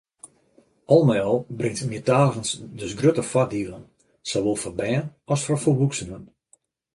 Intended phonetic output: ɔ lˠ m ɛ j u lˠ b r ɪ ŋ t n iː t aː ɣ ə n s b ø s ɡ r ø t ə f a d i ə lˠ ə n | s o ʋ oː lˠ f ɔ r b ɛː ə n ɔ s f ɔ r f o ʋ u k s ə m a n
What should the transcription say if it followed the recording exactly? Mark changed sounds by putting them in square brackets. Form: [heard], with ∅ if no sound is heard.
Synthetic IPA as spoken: ɔ lˠ m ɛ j [ɔ] lˠ b r ɪ ŋ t [m] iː t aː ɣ ə n s [d] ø s ɡ r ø t ə f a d i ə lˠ ə n | s o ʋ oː lˠ f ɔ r b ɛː ə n ɔ s f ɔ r f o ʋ u k s ə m [ə] n